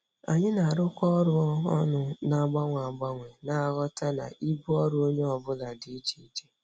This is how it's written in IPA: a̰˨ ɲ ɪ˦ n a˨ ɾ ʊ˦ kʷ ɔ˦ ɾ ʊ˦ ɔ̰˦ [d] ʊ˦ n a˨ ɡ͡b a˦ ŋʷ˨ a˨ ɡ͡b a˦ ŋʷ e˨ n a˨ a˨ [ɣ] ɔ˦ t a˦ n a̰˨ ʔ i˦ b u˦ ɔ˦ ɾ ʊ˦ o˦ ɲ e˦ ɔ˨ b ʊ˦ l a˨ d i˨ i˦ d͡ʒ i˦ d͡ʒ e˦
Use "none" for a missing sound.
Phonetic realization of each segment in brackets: n, ɣ

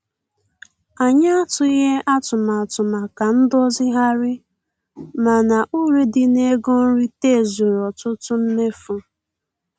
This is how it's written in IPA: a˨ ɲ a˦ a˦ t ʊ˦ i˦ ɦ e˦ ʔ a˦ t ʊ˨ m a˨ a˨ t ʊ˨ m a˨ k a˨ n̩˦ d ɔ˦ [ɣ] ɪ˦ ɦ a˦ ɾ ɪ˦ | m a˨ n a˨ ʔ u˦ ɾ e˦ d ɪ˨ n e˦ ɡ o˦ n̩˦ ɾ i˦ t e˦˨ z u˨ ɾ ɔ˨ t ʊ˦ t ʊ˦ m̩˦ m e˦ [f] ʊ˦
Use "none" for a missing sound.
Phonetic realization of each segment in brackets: z, f

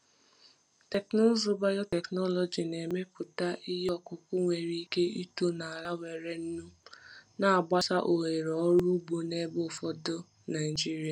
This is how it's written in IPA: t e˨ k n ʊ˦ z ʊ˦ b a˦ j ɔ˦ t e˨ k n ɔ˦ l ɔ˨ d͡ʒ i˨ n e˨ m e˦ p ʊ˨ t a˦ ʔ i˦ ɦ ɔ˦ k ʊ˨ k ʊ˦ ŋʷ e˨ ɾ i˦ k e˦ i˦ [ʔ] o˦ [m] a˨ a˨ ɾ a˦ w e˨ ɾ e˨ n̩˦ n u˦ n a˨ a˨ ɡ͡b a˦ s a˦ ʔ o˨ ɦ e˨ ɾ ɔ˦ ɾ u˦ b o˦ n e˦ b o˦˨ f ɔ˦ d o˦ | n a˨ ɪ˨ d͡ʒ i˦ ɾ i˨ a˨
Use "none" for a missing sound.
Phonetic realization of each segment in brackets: t, n

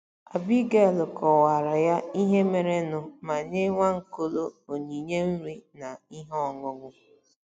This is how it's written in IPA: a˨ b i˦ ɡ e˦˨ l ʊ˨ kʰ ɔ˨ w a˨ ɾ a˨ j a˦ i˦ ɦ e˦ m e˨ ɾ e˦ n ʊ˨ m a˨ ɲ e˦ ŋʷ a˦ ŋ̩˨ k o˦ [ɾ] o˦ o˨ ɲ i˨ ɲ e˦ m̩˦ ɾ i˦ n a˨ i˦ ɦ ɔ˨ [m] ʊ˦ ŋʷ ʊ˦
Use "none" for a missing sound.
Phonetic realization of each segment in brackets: l, ŋ

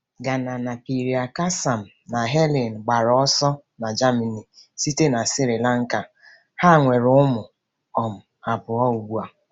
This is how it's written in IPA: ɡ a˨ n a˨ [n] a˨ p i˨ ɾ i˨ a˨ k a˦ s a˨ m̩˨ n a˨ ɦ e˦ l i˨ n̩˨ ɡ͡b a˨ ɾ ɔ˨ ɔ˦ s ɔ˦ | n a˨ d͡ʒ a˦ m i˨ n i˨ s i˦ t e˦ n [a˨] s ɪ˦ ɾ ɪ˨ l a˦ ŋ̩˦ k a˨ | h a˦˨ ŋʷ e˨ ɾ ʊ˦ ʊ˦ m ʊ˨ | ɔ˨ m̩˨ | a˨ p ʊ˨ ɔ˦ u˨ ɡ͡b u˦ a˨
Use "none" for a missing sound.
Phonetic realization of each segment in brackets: n, a˨

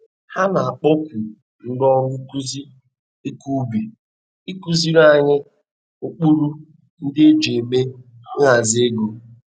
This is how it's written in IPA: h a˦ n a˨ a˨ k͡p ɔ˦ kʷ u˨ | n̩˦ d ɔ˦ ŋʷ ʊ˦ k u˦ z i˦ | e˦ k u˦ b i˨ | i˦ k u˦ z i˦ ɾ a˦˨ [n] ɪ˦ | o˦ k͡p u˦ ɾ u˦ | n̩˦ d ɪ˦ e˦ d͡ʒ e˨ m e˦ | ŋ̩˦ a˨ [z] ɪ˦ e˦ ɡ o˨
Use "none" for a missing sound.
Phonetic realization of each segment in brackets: ɲ, z

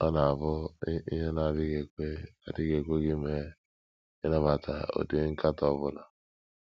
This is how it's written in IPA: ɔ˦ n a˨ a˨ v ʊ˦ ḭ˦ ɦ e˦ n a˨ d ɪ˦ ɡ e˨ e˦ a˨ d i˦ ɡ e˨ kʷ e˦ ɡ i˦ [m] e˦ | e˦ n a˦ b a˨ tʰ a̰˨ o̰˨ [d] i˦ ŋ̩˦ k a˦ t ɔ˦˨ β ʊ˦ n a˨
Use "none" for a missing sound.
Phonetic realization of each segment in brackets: m, d

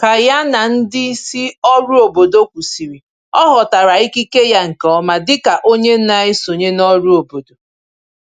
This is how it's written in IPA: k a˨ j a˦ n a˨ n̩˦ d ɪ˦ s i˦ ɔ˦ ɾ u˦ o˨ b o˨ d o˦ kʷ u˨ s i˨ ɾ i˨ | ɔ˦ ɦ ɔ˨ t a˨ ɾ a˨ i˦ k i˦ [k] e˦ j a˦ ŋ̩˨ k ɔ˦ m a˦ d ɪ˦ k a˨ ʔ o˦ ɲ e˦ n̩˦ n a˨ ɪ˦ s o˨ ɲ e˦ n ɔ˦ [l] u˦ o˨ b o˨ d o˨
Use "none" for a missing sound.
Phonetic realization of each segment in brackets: k, ɾ

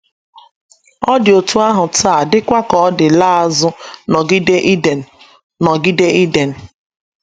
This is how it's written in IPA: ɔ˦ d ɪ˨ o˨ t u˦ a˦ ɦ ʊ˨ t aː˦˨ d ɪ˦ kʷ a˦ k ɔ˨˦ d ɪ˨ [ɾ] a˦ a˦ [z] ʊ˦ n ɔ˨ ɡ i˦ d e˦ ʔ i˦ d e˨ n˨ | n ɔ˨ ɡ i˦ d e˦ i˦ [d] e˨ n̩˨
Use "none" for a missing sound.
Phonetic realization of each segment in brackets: l, z, d

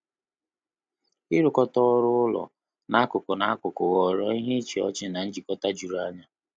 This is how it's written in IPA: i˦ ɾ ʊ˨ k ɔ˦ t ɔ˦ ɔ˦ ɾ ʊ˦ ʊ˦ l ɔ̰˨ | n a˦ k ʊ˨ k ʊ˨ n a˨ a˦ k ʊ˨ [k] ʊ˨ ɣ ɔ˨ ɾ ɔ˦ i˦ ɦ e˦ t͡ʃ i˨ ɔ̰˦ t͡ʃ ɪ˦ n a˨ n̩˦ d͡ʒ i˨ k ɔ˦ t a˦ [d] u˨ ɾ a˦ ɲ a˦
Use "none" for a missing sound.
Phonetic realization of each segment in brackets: k, d͡ʒ

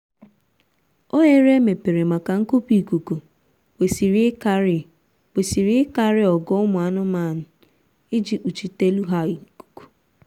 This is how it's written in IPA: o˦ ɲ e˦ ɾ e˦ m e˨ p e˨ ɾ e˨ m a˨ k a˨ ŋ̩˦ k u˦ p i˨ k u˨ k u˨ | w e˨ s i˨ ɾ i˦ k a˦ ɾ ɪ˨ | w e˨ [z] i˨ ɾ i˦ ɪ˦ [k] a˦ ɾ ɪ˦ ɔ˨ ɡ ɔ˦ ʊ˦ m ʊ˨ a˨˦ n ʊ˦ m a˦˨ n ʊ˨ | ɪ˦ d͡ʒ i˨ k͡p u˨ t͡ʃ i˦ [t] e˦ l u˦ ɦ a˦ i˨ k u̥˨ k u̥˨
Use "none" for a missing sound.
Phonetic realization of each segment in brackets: s, k, t

